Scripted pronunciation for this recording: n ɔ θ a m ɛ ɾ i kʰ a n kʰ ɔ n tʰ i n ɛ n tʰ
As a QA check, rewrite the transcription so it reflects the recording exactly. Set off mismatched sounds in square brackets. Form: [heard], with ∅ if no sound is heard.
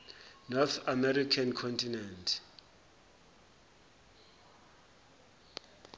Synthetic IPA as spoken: n ɔ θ a m ɛ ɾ i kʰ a n kʰ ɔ n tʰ i n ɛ n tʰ